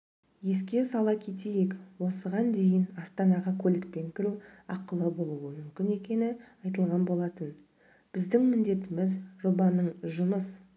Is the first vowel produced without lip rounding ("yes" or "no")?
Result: yes